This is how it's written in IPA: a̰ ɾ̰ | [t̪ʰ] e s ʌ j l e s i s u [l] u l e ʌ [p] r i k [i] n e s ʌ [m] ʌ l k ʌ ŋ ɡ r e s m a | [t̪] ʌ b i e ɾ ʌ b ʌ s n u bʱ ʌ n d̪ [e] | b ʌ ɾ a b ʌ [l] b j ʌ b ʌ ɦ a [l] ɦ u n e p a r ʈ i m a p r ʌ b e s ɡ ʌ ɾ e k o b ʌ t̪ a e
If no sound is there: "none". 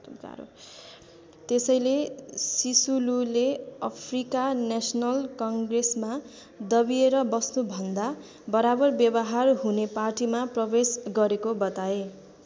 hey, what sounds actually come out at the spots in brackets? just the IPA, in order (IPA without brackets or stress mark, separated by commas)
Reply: t̪, l, pʰ, a, n, d̪, a, r, r